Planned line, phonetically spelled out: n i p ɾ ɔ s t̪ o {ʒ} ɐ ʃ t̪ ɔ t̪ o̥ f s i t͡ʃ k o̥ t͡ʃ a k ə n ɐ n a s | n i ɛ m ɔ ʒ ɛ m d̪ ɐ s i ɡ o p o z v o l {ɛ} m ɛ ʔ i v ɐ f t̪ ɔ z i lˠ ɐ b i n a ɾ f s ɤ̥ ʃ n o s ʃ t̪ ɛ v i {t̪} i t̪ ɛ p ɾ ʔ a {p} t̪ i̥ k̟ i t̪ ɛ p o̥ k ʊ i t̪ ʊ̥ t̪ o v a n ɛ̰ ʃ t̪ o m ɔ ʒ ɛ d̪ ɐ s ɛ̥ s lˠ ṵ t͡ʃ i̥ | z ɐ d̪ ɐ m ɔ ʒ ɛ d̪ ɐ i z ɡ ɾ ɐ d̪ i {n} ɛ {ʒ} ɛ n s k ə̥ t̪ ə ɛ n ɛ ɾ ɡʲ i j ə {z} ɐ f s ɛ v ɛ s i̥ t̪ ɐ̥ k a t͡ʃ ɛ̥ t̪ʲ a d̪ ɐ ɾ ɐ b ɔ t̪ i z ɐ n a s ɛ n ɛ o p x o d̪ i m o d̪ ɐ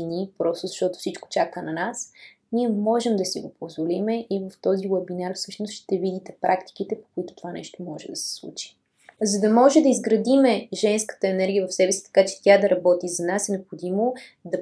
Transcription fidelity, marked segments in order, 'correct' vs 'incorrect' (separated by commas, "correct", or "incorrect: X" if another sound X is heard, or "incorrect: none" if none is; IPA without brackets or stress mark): incorrect: z, incorrect: i, incorrect: d̪, incorrect: k, incorrect: m, correct, incorrect: v